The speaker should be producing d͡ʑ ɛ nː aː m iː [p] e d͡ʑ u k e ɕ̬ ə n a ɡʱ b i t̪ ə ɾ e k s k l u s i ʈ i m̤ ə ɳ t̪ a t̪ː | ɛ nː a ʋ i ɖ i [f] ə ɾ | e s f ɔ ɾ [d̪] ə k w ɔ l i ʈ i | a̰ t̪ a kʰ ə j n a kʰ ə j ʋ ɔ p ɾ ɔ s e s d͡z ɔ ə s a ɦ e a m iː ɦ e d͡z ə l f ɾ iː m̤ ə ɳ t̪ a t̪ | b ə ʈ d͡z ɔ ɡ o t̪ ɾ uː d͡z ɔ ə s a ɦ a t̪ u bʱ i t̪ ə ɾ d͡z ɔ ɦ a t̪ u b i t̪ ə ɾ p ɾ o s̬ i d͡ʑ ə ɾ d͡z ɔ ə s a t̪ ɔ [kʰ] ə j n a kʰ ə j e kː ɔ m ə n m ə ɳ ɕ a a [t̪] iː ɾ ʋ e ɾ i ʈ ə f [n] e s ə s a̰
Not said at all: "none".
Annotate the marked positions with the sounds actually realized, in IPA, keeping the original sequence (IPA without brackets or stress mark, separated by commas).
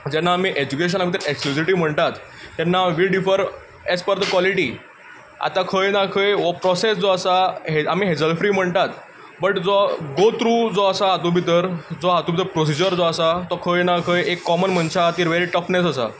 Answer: ʔ, f, d̪, kʰ, t̪, n